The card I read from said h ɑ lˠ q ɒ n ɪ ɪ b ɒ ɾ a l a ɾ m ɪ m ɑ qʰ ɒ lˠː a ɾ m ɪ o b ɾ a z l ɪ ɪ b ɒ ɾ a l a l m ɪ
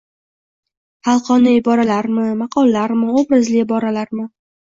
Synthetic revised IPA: h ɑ lˠ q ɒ n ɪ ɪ b ɒ ɾ a l a ɾ m ɪ m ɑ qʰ ɒ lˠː a ɾ m ɪ o b ɾ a z l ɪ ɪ b ɒ ɾ a l a ɾ m ɪ